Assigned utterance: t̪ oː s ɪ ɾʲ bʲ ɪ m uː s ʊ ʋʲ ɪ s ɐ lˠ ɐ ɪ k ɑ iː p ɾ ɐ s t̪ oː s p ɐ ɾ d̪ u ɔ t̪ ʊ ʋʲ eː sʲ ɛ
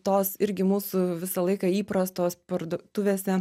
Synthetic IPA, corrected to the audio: t̪ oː s ɪ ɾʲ ɡʲ ɪ m uː s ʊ ʋʲ ɪ s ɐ lˠ ɐ ɪ k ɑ iː p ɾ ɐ s t̪ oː s p ɐ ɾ d̪ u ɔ t̪ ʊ ʋʲ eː sʲ ɛ